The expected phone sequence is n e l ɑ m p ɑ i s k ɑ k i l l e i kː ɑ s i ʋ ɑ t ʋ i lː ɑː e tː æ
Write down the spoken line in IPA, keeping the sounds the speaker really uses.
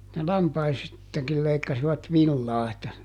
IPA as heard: n e l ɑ m p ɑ i s t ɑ k i l l e i kː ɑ s i ʋ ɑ t ʋ i lː ɑː e tː æ